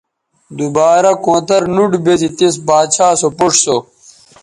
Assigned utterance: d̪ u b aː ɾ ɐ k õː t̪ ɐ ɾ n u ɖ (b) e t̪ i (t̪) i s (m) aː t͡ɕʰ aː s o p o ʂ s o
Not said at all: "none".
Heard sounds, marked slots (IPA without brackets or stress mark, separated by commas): b, t̪, b